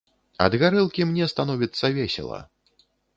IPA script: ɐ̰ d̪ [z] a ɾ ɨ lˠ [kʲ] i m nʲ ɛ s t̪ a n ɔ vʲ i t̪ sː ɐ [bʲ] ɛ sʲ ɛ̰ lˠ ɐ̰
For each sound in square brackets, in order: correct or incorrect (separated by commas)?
incorrect, correct, incorrect